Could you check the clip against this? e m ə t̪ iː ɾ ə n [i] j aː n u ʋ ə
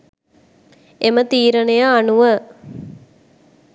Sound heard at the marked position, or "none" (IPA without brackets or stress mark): e